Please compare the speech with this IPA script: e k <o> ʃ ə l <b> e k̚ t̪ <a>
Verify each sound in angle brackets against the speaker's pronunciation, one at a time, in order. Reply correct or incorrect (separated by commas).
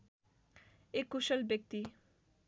incorrect, correct, incorrect